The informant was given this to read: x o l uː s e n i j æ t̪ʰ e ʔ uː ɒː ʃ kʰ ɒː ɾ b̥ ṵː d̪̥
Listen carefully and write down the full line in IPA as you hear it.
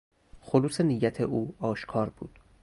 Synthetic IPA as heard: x o l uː s e n i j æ t̪ʰ e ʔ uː ɒː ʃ kʰ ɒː ɾ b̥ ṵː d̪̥